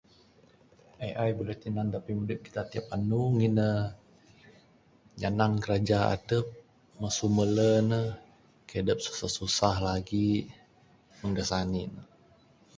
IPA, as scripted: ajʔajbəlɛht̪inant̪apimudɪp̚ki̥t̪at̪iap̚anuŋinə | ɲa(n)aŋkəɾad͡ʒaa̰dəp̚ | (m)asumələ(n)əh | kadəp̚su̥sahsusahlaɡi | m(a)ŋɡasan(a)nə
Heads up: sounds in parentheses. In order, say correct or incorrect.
correct, correct, correct, incorrect: ə, incorrect: i

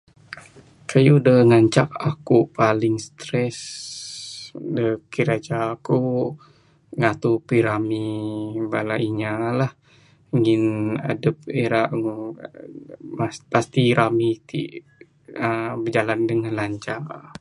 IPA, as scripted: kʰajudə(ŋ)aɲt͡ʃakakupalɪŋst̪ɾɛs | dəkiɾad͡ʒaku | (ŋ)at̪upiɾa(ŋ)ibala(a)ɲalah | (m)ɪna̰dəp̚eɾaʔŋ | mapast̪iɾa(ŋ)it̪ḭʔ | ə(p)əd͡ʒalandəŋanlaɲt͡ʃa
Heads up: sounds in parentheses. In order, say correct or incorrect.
correct, correct, incorrect: m, incorrect: i, incorrect: ŋ, incorrect: m, incorrect: b

